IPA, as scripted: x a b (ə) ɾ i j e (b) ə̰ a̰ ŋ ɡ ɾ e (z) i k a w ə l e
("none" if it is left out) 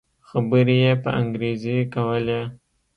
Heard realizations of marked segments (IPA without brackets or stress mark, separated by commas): ə, p, z